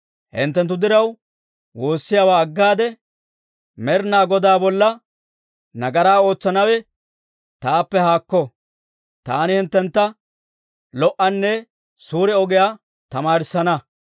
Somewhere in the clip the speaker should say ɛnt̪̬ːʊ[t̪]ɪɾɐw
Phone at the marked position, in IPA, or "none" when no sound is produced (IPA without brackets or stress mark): d̪